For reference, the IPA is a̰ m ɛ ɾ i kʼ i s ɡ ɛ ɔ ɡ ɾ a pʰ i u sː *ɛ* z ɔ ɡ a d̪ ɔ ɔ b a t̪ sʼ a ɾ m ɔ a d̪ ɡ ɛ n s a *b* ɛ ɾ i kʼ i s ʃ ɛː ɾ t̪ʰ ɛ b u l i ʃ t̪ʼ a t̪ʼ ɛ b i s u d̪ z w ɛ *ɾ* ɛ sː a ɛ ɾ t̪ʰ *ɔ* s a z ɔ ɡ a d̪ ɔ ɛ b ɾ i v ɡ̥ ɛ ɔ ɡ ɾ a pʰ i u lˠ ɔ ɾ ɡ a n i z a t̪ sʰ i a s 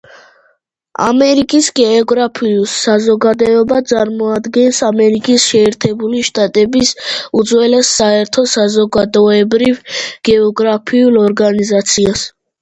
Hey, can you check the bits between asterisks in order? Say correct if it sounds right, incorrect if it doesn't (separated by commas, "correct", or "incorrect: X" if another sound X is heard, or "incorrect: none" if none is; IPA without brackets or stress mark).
incorrect: a, incorrect: m, incorrect: l, correct